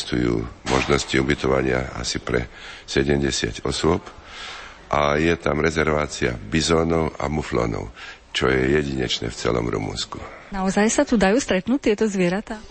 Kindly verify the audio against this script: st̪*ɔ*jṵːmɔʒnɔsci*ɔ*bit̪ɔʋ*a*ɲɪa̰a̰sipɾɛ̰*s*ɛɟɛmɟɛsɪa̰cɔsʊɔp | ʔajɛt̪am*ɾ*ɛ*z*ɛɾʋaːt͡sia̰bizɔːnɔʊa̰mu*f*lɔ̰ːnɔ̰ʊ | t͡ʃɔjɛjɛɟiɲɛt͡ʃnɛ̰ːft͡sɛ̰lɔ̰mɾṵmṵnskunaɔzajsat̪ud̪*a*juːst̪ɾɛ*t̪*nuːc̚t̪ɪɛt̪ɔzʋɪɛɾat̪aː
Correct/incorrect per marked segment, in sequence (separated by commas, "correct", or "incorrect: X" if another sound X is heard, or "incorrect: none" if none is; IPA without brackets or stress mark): incorrect: u, incorrect: u, correct, correct, correct, correct, correct, correct, correct